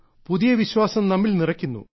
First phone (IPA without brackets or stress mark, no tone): p